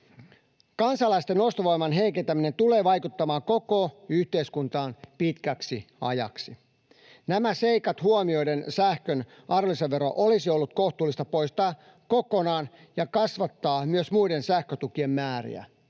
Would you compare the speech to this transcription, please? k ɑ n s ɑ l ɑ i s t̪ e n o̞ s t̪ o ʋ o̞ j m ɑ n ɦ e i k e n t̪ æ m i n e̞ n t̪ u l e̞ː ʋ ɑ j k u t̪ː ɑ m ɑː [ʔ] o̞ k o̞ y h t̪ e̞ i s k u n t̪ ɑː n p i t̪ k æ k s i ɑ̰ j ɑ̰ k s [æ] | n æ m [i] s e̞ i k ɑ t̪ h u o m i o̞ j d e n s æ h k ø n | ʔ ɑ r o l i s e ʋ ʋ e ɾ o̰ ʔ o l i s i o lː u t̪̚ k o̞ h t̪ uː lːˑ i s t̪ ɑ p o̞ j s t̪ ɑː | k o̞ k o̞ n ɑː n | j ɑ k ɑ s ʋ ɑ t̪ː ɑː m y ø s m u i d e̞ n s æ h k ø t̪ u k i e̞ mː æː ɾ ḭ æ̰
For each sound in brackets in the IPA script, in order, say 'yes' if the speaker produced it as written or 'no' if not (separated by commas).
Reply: no, no, no